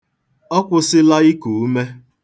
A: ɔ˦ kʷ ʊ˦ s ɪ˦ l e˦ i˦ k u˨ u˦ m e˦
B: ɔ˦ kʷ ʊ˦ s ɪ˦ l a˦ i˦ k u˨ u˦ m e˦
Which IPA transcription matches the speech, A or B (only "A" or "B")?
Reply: B